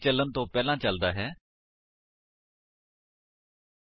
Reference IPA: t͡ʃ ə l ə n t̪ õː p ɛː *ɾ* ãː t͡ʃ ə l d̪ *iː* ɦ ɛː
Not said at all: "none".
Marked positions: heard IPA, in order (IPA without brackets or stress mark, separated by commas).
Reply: l, aː